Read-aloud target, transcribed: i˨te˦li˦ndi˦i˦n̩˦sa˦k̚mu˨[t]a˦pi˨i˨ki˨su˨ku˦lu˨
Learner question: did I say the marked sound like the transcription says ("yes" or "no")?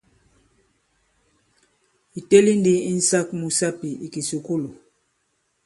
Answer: no